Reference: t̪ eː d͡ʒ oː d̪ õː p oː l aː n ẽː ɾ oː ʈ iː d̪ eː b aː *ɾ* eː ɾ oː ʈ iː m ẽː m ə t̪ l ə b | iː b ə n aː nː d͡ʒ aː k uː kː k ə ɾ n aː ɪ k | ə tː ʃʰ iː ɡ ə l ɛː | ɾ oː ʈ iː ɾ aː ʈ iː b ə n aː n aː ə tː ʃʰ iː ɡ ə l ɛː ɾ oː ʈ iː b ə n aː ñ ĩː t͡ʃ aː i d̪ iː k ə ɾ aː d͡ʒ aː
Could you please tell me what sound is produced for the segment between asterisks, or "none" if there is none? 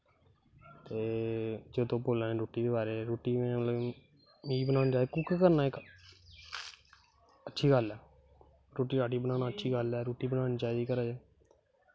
ɾ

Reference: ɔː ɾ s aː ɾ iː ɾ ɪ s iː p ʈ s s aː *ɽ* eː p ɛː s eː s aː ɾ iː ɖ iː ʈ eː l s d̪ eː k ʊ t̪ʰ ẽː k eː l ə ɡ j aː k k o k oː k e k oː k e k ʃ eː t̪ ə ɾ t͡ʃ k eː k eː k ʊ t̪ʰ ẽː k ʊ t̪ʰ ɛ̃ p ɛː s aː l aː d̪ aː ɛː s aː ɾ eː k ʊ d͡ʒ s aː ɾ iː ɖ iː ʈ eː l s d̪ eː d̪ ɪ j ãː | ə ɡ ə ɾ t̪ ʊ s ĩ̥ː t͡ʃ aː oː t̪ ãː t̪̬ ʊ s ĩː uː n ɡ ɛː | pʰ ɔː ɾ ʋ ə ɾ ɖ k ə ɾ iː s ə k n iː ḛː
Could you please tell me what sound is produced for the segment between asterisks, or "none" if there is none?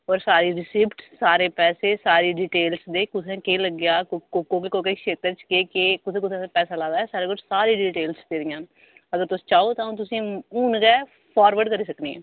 ɾ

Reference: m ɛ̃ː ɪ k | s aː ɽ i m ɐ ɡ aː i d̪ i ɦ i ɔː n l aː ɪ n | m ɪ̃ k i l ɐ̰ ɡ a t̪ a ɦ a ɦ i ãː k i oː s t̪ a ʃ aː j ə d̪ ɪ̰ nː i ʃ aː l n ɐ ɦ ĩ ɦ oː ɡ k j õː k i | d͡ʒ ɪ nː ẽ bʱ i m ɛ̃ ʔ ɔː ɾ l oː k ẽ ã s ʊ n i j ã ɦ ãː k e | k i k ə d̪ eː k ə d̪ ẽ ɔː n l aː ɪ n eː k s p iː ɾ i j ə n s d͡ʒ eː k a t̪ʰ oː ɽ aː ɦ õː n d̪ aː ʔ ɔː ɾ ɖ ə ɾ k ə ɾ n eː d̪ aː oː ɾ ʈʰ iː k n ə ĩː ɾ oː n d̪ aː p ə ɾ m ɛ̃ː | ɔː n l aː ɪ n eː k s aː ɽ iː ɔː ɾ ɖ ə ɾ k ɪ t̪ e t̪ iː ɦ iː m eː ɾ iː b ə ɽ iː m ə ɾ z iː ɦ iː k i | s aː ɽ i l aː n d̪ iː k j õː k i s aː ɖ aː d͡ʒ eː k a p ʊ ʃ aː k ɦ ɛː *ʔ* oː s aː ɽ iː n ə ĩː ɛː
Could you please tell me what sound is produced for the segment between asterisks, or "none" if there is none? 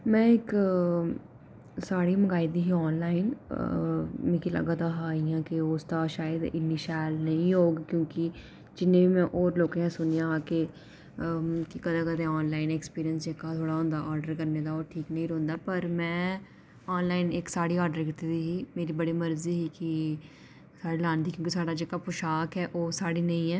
ʔ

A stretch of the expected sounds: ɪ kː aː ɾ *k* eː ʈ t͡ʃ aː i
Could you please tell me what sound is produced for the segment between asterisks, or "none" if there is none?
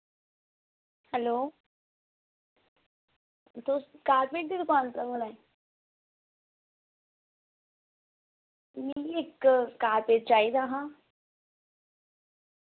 p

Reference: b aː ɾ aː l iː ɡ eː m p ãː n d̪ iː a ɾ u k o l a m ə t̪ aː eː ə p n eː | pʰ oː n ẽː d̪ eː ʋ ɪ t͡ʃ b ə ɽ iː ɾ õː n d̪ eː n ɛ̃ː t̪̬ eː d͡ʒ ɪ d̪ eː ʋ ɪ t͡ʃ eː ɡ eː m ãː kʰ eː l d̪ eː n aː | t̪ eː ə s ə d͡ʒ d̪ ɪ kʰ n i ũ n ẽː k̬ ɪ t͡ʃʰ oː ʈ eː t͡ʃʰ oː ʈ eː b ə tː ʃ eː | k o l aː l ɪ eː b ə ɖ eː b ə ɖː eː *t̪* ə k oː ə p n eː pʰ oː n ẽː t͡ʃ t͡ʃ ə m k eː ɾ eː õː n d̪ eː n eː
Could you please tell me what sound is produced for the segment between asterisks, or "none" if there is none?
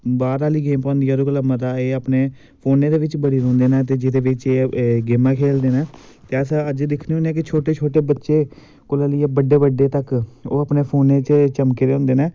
t̪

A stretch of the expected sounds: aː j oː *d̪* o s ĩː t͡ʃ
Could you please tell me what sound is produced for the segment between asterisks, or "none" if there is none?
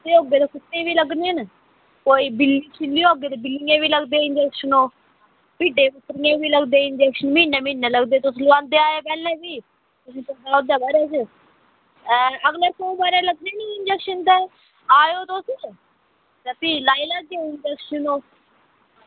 t̪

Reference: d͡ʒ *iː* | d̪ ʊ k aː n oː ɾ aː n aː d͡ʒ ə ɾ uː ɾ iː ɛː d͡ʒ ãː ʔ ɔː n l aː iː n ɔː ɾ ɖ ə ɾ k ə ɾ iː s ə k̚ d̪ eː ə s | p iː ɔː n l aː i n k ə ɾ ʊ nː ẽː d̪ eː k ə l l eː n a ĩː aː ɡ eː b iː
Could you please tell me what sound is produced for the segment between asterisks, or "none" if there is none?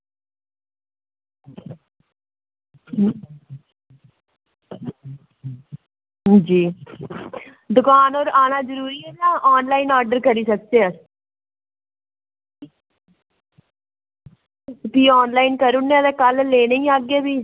iː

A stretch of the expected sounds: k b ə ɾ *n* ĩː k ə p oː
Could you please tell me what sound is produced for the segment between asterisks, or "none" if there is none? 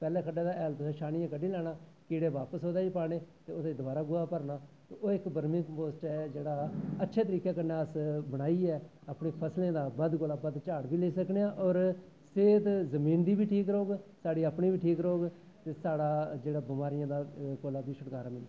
m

